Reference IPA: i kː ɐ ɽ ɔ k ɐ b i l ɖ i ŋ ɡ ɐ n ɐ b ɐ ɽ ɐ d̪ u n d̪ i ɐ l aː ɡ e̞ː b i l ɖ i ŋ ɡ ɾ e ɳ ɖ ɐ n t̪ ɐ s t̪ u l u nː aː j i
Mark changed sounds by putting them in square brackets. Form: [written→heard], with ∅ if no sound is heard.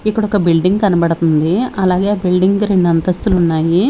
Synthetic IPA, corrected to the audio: i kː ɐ ɽ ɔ k ɐ b i l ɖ i ŋ ɡ ɐ n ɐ b ɐ ɽ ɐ [d̪→t̪] u n d̪ i ɐ l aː ɡ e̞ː b i l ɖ i ŋ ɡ ɾ e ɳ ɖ ɐ n t̪ ɐ s t̪ u l u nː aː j i